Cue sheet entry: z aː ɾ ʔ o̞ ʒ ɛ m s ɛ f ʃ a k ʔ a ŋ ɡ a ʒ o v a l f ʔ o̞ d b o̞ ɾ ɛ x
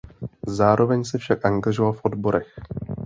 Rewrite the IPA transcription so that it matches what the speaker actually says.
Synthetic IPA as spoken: z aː ɾ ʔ o̞ v ɛ ɲ s ɛ f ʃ a k ʔ a ŋ ɡ a ʒ o v a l f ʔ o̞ d b o̞ ɾ ɛ x